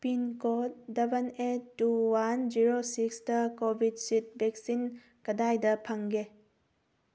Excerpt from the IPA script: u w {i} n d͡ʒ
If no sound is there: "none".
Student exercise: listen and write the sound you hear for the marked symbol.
a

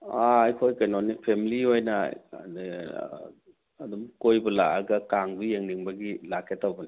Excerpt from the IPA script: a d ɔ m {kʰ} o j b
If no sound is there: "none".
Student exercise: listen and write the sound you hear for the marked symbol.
k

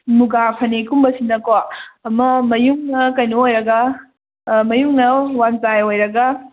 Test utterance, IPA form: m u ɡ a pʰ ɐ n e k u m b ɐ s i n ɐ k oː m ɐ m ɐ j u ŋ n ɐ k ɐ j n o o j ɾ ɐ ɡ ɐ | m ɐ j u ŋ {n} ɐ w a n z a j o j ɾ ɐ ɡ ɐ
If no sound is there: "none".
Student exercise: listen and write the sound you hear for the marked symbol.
n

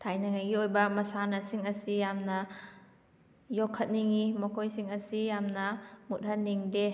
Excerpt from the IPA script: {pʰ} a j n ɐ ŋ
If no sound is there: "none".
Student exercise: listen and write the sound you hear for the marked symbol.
tʰ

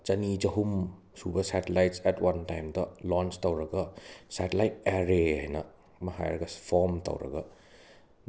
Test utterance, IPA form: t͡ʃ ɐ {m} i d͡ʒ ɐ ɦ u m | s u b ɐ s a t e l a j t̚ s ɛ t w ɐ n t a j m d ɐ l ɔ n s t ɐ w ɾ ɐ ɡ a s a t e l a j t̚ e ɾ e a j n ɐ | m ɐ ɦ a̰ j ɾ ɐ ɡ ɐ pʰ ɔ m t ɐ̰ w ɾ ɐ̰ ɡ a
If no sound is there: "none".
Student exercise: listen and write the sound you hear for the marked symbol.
n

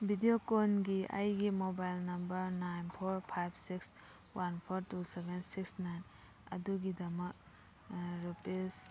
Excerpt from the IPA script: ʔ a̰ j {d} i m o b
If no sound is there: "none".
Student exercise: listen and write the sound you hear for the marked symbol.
ɡ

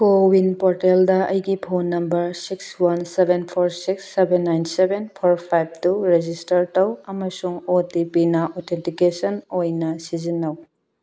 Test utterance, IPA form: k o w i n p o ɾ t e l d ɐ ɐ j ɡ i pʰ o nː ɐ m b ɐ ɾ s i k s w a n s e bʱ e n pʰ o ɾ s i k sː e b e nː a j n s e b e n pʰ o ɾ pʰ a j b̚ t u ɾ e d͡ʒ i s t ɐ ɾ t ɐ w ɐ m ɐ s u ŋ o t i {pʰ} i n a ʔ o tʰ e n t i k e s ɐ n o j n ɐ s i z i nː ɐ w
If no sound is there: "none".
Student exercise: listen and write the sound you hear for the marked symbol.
p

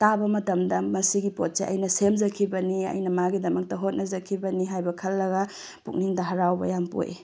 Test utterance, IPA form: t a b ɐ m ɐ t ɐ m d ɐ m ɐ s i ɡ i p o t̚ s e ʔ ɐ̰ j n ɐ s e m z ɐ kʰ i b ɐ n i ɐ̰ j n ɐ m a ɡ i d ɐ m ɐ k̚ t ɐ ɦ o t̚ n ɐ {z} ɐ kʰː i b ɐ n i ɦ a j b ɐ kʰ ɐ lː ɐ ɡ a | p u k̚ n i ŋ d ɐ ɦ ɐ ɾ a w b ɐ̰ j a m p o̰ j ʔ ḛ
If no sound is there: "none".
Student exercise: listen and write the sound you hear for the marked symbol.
z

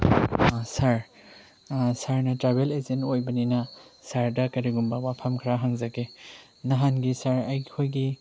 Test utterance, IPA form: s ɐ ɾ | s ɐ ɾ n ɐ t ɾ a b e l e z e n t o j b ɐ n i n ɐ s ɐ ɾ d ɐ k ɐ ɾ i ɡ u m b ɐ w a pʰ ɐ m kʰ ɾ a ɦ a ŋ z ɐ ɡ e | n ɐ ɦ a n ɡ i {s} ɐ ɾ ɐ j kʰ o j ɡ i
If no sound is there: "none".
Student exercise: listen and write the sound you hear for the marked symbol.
s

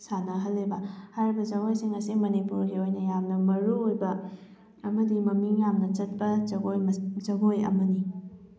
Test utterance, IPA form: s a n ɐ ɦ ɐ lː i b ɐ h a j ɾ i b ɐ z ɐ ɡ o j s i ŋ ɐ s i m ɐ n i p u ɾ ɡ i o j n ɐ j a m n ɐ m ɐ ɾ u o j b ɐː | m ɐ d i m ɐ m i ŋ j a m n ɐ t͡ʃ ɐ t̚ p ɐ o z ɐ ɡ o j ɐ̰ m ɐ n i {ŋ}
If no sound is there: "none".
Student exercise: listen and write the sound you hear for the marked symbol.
none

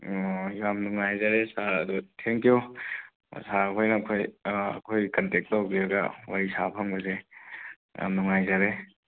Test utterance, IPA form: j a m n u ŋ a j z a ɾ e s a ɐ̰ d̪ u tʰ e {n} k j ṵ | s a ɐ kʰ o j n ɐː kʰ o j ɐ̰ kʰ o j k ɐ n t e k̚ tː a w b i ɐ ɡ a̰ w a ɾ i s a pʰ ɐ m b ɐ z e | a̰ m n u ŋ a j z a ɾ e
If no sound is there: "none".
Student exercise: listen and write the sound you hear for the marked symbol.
ŋ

